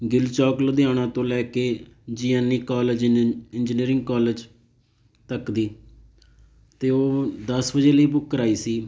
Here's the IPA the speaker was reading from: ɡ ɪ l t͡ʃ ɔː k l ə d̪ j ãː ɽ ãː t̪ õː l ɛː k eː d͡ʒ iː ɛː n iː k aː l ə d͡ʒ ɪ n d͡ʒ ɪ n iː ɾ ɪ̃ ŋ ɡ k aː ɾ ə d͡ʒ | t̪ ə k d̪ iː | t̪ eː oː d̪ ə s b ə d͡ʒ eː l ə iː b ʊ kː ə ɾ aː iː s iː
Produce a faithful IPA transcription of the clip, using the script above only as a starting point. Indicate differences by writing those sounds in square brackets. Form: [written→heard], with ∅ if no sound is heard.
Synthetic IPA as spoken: ɡ ɪ l t͡ʃ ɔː k l ə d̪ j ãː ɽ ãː t̪ õː l ɛː k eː d͡ʒ iː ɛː n iː k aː l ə d͡ʒ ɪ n d͡ʒ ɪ n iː ɾ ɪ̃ ŋ ɡ k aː [ɾ→l] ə d͡ʒ | t̪ ə k d̪ iː | t̪ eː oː d̪ ə s b ə d͡ʒ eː l ə iː b ʊ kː ə ɾ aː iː s iː

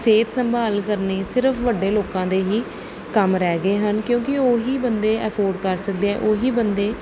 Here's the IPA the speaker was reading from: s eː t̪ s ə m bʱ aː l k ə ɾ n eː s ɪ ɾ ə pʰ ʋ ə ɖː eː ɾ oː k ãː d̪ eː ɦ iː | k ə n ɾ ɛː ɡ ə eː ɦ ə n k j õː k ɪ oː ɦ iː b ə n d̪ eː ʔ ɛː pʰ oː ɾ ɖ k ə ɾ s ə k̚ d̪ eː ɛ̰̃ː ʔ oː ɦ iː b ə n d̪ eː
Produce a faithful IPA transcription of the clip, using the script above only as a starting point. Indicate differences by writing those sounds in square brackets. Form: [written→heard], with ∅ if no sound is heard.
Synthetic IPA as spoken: s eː t̪ s ə m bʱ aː l k ə ɾ n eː s ɪ ɾ ə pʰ ʋ ə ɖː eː [ɾ→l] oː k ãː d̪ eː ɦ iː | k ə [n→m] ɾ ɛː ɡ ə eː ɦ ə n k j õː k ɪ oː ɦ iː b ə n d̪ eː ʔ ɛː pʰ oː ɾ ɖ k ə ɾ s ə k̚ d̪ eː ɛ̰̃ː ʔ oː ɦ iː b ə n d̪ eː

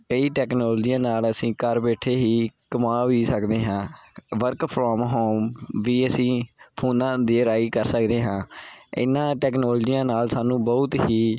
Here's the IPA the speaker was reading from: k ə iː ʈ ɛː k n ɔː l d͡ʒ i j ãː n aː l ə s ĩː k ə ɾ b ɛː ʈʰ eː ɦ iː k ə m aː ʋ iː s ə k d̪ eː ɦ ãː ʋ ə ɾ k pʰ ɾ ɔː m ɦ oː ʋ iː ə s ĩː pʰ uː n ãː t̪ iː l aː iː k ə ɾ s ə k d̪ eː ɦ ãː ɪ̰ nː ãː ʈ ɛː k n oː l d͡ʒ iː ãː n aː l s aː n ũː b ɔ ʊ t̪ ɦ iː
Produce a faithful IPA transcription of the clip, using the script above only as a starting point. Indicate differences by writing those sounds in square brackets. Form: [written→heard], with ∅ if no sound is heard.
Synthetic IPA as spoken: k ə iː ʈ ɛː k n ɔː l d͡ʒ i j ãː n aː l ə s ĩː k ə ɾ b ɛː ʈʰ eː ɦ iː k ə m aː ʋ iː s ə k d̪ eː ɦ ãː ʋ ə ɾ k pʰ ɾ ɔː m ɦ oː ʋ iː ə s ĩː pʰ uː n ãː [t̪→d̪] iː [l→ɾ] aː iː k ə ɾ s ə k d̪ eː ɦ ãː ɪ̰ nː ãː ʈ ɛː k n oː l d͡ʒ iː ãː n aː l s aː n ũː b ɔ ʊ t̪ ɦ iː

